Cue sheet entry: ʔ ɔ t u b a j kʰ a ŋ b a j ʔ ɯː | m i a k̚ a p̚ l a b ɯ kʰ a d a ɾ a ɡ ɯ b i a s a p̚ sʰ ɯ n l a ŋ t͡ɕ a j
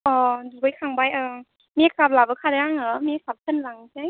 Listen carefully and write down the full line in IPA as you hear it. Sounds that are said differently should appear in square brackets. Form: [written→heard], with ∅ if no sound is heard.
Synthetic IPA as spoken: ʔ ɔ [t→d] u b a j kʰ a ŋ b a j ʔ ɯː | m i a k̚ a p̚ l a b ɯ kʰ a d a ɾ a [ɡ→ŋ] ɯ [b→m] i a s a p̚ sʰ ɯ n l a ŋ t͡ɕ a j